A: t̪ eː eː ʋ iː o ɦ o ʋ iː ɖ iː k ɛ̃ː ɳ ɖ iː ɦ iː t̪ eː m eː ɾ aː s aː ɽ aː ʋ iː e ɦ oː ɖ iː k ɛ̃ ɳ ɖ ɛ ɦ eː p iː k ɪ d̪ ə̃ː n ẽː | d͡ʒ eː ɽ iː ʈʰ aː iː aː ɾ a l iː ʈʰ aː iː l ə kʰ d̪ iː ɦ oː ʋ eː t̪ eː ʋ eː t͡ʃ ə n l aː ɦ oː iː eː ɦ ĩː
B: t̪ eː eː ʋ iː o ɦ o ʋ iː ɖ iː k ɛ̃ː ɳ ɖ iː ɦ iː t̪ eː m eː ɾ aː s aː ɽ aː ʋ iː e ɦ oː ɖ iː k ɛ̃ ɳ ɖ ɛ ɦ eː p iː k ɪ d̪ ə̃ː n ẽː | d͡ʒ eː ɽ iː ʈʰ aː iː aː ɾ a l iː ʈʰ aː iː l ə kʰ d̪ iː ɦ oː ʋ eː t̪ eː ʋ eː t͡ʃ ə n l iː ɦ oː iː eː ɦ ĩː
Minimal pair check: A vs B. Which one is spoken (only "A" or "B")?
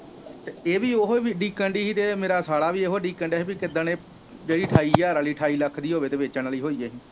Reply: B